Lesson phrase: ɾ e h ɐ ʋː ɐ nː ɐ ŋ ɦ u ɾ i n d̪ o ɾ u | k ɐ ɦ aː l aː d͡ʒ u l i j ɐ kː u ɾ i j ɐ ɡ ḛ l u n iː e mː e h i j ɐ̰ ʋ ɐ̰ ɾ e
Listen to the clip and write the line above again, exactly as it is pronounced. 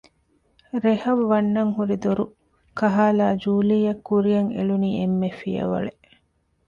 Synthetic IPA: ɾ e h ɐ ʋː ɐ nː ɐ ŋ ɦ u ɾ i d̪ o ɾ u | k ɐ ɦ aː l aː d͡ʒ uː l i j ɐ kː u ɾ i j ɐ ŋ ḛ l u n iː e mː e f i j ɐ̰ ʋ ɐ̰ ɭ e